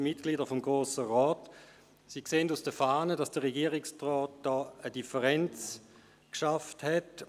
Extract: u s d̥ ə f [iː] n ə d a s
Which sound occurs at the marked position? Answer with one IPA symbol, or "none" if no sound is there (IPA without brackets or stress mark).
aː